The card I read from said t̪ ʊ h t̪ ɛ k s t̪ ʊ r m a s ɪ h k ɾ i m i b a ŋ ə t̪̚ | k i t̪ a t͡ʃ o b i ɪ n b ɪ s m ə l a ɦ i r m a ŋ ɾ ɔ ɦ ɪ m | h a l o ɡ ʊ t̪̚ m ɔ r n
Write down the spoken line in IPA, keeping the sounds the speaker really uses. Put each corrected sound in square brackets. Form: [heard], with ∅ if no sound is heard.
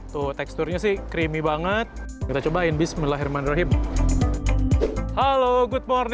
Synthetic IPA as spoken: t̪ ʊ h t̪ ɛ k s t̪ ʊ r [ɲ] a s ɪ h k ɾ i m i b a ŋ ə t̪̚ | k i t̪ a t͡ʃ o b [a] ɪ n b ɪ s m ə l a ɦ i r m a [n] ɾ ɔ ɦ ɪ m | h a l o ɡ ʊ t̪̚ m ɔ r n